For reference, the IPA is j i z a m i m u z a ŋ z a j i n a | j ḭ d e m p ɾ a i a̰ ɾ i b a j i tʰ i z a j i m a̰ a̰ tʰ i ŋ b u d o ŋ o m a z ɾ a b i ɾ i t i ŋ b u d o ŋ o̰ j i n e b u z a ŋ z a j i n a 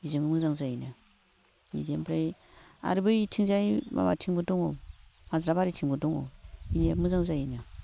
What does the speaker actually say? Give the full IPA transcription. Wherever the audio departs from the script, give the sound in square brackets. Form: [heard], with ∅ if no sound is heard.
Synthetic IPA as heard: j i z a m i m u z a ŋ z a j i n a | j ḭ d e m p ɾ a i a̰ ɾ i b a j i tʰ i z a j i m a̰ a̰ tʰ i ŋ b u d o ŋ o m a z ɾ a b [a] ɾ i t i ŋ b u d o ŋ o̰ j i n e [m] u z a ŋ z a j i n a